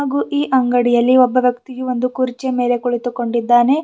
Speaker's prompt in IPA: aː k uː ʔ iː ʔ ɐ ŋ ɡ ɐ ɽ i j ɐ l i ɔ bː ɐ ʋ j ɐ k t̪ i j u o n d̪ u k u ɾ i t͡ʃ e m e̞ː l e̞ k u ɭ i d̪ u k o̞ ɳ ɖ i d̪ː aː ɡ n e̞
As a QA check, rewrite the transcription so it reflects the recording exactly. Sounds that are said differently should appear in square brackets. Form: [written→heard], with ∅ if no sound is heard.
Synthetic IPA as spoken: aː [k→ɡ] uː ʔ iː ʔ ɐ ŋ ɡ ɐ ɽ i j ɐ [l→lː] i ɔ bː ɐ ʋ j ɐ k t̪ i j u o n d̪ u k u ɾ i t͡ʃ e m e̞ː l e̞ k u ɭ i [d̪→t̪] u k o̞ ɳ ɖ i d̪ː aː [ɡ→∅] n e̞